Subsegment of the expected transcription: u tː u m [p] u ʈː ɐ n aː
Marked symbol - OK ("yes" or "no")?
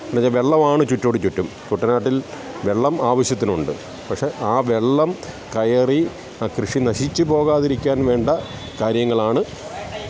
no